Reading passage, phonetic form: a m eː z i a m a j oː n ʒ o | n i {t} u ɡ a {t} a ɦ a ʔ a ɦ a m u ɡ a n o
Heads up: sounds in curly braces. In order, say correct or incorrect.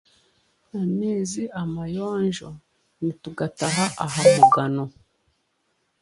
correct, correct

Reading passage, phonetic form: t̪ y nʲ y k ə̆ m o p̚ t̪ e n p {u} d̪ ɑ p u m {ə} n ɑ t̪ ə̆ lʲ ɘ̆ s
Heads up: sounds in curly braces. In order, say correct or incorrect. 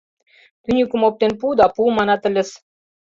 correct, incorrect: ɑ

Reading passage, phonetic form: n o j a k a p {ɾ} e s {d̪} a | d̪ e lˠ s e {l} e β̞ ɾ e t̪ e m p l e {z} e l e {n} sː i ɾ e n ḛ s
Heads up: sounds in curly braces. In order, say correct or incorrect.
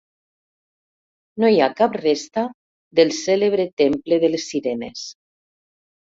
incorrect: r, incorrect: t̪, correct, incorrect: ð, incorrect: none

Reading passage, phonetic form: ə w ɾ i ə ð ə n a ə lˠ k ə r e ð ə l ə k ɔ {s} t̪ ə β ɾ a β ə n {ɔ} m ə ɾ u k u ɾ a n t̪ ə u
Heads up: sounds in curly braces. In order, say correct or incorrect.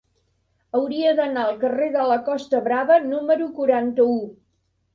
correct, incorrect: u

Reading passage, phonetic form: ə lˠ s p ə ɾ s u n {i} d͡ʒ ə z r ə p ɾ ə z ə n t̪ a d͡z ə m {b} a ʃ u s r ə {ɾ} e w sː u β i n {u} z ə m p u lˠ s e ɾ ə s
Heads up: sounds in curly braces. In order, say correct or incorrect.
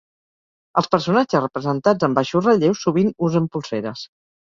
incorrect: a, correct, incorrect: ʎ, correct

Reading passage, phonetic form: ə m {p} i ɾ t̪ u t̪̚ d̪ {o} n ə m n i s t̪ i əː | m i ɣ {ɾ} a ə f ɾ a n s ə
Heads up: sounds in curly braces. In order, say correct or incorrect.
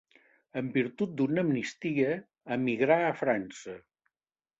incorrect: b, incorrect: u, correct

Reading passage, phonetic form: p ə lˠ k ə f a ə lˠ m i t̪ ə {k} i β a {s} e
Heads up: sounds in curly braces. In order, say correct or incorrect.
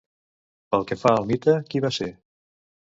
correct, correct

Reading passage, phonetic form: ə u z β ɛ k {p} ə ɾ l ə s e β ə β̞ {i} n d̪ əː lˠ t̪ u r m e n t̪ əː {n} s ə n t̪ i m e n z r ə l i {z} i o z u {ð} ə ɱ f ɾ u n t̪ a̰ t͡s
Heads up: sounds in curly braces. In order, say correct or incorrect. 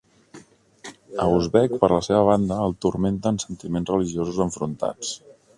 correct, incorrect: a, correct, incorrect: ʒ, incorrect: z

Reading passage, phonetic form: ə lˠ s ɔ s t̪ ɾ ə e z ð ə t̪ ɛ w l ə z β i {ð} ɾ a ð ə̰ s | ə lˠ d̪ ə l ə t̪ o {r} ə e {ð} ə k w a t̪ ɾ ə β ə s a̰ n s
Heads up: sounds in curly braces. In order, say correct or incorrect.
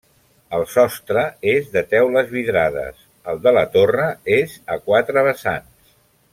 correct, correct, incorrect: z

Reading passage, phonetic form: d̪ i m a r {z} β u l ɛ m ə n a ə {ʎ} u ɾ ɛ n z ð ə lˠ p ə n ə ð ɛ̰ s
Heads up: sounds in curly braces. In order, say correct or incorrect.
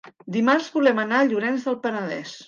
correct, correct

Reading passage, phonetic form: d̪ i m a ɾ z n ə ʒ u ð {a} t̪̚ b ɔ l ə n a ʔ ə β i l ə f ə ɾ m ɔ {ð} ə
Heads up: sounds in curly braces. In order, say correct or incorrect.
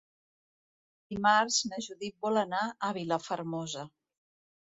incorrect: i, incorrect: z

